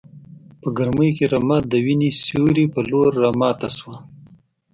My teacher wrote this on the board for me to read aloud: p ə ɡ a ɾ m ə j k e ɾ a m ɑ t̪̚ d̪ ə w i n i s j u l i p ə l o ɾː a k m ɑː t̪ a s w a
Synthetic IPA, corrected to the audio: p ə ɡ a ɾ m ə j k e ɾ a m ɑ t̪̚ d̪ ə w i n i s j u ɾ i p ə l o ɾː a m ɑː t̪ a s w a